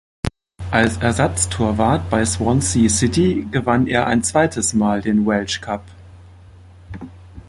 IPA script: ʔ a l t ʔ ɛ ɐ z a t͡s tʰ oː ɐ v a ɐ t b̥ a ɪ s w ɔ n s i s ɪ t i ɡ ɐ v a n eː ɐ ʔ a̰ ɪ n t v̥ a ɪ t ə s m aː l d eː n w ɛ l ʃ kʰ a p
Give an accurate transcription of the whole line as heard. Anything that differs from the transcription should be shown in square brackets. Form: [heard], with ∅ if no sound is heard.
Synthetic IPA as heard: ʔ a l [s] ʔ ɛ ɐ z a t͡s tʰ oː ɐ v a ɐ t b̥ a ɪ s w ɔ n s i s ɪ t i ɡ [ə] v a n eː ɐ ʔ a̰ ɪ n [t͡s] v̥ a ɪ t ə s m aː l d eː n w ɛ l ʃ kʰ a p